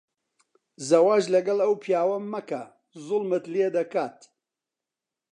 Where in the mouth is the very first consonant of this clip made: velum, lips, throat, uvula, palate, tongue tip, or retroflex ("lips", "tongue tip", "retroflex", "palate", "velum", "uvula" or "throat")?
tongue tip